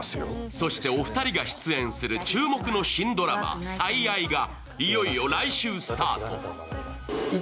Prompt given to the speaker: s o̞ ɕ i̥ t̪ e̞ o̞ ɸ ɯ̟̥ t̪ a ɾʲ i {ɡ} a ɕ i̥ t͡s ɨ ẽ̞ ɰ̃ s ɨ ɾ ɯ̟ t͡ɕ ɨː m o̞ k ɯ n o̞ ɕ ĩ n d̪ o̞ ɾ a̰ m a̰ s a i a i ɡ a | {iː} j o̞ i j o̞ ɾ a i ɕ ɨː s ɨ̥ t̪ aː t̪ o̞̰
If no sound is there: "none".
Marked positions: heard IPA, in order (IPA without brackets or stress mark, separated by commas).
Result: ɡ, i